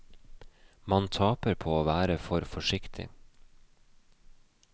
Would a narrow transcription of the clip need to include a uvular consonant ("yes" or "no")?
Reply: no